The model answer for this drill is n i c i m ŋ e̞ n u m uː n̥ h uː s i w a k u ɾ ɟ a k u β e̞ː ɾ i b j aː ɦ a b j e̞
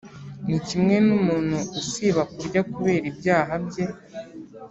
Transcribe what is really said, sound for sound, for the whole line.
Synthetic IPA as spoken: n i c i m ŋ e̞ n u m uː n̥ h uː s i β a k u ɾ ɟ a k u β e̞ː ɾ i b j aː ɦ a b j e̞